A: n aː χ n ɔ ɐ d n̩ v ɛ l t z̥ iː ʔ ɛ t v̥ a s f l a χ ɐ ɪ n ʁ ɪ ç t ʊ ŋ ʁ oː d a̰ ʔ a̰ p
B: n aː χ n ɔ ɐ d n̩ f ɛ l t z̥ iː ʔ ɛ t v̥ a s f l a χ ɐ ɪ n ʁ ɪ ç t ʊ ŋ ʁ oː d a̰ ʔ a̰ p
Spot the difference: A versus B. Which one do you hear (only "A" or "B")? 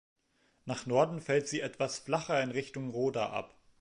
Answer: B